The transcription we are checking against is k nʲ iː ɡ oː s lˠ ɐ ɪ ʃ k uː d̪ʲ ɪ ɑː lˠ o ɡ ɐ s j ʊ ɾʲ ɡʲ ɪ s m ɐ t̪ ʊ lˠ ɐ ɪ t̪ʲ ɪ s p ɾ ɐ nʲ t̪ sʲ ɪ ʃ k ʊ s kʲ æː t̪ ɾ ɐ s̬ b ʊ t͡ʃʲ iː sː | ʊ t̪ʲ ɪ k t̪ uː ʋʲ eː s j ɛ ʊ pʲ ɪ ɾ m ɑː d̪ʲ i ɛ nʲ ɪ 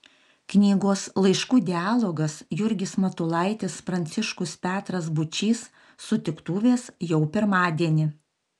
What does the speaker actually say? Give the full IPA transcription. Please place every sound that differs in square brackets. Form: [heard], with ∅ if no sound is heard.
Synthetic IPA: k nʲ iː ɡ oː s lˠ ɐ ɪ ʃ k uː d̪ʲ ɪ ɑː lˠ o ɡ ɐ s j ʊ ɾʲ ɡʲ ɪ s m ɐ t̪ ʊ lˠ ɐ ɪ t̪ʲ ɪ s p ɾ ɐ nʲ t̪ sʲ ɪ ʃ k ʊ s [pʲ] æː t̪ ɾ ɐ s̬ b ʊ t͡ʃʲ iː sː | ʊ t̪ʲ ɪ k t̪ uː ʋʲ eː s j ɛ ʊ pʲ ɪ ɾ m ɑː d̪ʲ i ɛ nʲ ɪ